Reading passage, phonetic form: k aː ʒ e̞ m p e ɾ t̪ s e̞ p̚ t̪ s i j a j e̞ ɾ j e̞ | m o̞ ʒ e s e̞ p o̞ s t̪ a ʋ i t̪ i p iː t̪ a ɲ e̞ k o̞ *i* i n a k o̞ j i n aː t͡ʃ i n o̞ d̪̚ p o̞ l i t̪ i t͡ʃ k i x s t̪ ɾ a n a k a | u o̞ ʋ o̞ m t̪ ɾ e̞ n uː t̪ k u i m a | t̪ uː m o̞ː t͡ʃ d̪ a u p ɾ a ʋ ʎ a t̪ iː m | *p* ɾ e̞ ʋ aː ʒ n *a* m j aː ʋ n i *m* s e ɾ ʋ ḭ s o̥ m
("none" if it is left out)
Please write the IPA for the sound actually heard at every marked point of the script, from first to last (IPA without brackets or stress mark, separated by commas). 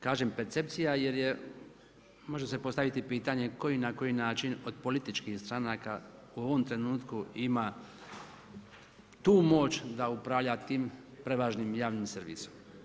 j, p, i, m